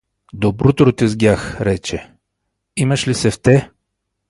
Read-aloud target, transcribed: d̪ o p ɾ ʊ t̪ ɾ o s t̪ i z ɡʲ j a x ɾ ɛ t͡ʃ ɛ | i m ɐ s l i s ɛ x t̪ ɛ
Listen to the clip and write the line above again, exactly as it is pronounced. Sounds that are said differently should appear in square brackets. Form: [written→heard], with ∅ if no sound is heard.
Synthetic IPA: d̪ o [p→b] ɾ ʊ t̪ ɾ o [s→∅] t̪ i z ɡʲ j a x ɾ ɛ t͡ʃ ɛ | i m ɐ [s→ʃ] l i s ɛ [x→f] t̪ ɛ